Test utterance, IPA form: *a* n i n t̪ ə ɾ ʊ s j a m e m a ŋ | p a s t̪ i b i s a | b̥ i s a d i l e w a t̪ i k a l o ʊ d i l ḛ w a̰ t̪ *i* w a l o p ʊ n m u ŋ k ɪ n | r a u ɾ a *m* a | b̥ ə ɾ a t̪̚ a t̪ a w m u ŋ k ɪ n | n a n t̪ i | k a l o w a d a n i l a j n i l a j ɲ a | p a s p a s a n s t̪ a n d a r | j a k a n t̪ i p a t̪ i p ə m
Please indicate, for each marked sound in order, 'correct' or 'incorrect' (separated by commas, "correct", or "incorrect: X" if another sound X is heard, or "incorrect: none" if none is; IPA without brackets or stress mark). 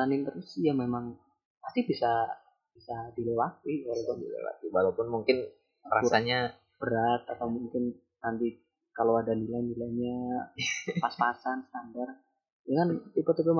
correct, correct, incorrect: ɲ